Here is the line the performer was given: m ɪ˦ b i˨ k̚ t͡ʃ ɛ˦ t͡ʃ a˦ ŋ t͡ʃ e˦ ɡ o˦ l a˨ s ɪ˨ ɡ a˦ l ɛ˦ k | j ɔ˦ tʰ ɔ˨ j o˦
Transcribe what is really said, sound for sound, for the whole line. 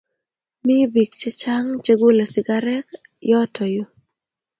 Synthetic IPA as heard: m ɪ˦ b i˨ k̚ t͡ʃ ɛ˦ t͡ʃ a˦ ŋ t͡ʃ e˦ ɡ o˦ l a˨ s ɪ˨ ɡ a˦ ɾ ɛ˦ k | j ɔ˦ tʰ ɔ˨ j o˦